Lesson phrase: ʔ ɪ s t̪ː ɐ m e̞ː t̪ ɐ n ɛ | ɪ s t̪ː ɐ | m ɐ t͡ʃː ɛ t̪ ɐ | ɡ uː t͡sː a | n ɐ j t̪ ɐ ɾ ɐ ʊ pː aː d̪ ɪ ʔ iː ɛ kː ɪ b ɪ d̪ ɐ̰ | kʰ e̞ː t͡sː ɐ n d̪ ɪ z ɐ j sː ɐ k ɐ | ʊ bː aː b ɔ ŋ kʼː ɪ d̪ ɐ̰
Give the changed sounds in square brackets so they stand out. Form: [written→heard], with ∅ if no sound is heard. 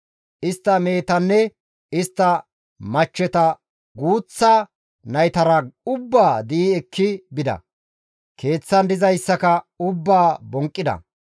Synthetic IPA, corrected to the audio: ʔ ɪ s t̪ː ɐ m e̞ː t̪ ɐ [n→nː] ɛ | ɪ s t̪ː ɐ | m ɐ t͡ʃː ɛ t̪ ɐ | ɡ uː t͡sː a | n ɐ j t̪ ɐ ɾ ɐ ʊ [pː→bː] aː d̪ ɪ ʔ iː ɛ kː ɪ b ɪ d̪ ɐ̰ | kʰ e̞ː t͡sː ɐ n d̪ ɪ z ɐ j sː ɐ k ɐ | ʊ bː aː b ɔ ŋ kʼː ɪ d̪ ɐ̰